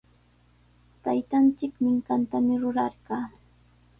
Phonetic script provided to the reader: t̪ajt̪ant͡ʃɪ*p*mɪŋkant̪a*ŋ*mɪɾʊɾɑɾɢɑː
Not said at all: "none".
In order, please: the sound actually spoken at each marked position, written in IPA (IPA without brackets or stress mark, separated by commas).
k, none